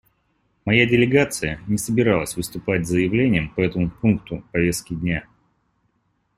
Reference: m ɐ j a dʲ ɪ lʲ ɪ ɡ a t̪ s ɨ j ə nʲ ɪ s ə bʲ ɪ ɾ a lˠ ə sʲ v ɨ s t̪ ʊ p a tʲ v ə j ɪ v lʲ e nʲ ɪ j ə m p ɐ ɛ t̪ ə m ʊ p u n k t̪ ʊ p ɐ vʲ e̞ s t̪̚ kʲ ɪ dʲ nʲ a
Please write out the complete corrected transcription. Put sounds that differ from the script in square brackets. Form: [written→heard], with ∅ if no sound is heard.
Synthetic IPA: m ɐ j a dʲ ɪ lʲ ɪ ɡ a t̪ s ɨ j ə nʲ ɪ s ə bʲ ɪ ɾ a lˠ ə sʲ v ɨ s t̪ ʊ p a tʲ [v→z] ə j ɪ v lʲ e nʲ ɪ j ə m p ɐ ɛ t̪ ə m ʊ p u n k t̪ ʊ p ɐ vʲ e̞ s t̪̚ kʲ ɪ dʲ nʲ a